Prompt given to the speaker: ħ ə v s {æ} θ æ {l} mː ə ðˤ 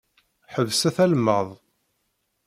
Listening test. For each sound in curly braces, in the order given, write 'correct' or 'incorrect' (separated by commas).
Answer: correct, correct